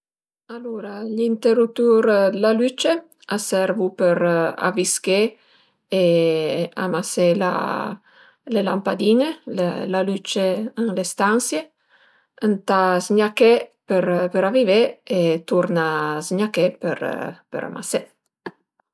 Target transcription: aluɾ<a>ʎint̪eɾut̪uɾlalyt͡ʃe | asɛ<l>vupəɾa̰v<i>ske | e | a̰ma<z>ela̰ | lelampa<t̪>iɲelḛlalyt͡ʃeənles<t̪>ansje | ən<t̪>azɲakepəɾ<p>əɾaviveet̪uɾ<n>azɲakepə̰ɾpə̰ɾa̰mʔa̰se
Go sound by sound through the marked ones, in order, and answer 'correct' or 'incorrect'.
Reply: correct, incorrect: ɾ, correct, incorrect: s, incorrect: d̪, correct, correct, correct, correct

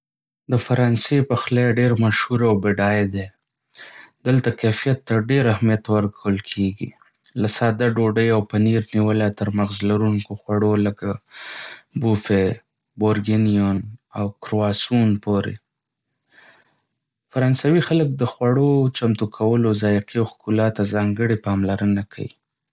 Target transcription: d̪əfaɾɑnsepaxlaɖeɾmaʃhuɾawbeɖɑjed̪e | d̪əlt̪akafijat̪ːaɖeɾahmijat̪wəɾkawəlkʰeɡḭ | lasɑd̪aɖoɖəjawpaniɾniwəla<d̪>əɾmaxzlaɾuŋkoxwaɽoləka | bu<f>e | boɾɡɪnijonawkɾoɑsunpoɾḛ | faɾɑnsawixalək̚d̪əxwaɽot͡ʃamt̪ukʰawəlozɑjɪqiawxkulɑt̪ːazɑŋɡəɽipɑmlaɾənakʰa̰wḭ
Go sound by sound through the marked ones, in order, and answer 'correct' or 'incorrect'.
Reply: incorrect: t̪, correct

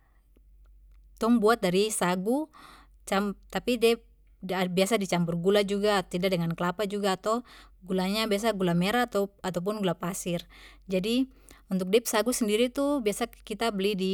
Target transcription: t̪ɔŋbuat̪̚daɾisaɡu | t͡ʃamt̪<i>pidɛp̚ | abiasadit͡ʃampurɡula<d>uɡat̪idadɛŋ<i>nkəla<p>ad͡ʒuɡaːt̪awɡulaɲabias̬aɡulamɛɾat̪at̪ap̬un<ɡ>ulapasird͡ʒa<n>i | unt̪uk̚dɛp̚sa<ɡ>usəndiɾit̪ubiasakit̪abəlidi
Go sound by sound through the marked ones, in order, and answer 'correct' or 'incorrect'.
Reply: incorrect: a, incorrect: d͡ʒ, incorrect: a, correct, correct, incorrect: d, correct

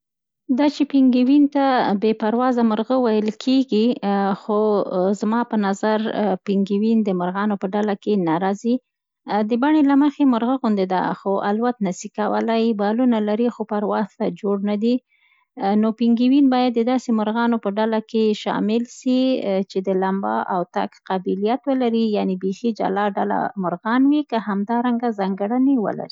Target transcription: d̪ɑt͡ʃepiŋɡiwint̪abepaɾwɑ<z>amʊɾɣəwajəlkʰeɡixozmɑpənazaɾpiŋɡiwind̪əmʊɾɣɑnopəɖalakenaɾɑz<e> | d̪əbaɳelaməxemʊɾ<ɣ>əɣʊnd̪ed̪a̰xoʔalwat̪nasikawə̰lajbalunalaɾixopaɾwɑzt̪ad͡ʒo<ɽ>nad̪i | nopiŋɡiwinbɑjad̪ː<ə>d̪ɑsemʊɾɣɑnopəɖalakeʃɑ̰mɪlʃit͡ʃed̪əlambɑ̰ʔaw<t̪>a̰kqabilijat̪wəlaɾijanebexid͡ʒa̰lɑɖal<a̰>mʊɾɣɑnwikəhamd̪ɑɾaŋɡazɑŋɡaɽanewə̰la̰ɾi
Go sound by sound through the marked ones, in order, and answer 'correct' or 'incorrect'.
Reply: correct, incorrect: i, correct, correct, correct, correct, correct

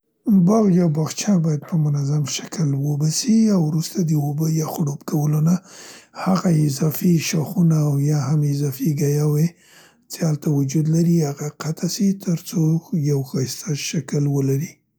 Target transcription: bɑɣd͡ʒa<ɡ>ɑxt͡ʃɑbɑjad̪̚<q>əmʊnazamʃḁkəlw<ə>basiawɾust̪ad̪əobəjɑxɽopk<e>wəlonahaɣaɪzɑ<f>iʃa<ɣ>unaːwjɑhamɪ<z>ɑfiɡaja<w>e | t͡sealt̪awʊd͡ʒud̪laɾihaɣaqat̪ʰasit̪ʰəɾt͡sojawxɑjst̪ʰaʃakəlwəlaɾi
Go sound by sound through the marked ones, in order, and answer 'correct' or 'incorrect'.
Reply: incorrect: b, incorrect: p, correct, incorrect: a, correct, incorrect: x, correct, correct

